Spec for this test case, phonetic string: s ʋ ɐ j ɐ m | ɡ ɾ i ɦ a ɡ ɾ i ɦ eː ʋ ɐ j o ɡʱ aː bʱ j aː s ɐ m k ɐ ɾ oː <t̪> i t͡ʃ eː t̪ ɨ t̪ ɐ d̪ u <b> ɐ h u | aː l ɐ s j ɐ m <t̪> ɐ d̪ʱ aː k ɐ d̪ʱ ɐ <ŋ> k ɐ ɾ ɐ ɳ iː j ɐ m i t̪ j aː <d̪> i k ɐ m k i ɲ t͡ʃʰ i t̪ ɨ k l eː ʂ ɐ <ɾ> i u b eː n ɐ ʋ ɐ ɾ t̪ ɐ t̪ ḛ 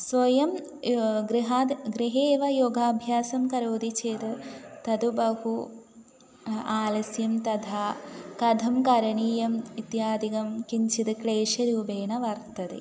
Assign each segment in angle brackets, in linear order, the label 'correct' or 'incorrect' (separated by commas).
incorrect, correct, correct, incorrect, correct, correct